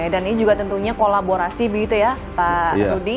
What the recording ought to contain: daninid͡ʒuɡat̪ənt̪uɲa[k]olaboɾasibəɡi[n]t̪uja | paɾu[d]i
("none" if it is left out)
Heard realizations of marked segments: k, none, d

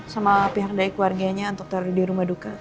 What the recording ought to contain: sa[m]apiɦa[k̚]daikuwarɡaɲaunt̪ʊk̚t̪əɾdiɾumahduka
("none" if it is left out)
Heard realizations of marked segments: m, k̚

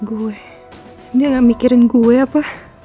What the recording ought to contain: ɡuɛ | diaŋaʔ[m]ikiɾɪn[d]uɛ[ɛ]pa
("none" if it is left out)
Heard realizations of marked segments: m, ɡ, a

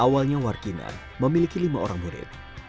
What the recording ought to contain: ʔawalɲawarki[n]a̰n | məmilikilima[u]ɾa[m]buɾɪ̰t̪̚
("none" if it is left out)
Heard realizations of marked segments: n, o, ŋ

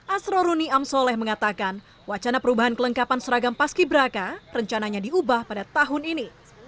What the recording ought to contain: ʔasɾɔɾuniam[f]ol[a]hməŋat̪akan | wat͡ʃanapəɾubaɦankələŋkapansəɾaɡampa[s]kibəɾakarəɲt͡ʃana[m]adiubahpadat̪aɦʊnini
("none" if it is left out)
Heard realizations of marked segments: s, ɛ, s, ɲ

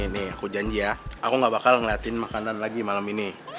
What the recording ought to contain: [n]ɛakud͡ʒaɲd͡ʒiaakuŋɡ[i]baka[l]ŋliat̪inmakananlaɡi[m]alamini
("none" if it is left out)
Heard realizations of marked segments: n, a, l, m

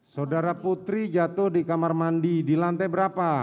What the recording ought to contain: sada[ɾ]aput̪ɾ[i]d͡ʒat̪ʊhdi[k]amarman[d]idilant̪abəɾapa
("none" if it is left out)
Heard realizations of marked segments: ɾ, i, k, d

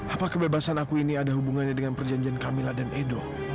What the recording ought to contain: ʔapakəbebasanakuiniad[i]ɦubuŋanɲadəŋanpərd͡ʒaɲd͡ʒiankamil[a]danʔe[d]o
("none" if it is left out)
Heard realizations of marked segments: a, a, d

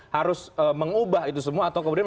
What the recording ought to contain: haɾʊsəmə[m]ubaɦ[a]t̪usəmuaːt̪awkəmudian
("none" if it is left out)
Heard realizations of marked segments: ŋ, i

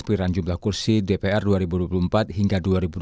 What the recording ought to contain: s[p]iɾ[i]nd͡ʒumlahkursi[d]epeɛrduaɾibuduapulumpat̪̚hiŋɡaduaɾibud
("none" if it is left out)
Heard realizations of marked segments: p, a, d

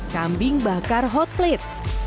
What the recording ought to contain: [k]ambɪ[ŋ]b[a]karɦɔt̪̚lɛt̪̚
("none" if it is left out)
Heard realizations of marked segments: k, ŋ, a

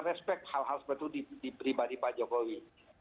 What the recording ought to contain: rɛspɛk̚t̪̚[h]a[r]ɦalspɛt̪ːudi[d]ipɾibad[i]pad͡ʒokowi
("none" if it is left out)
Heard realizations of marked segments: h, l, d, i

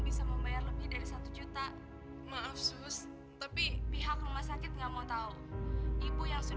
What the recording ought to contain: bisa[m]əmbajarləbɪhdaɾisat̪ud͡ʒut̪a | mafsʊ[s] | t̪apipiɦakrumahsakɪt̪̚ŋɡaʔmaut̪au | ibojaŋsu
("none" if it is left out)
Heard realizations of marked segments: m, s

